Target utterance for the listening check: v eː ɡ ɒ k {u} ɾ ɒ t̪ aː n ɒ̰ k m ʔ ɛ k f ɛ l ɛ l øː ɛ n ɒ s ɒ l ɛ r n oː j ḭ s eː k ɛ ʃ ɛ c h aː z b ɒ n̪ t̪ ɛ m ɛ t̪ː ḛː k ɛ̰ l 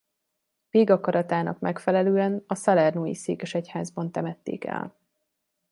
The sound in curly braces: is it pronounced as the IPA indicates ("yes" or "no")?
no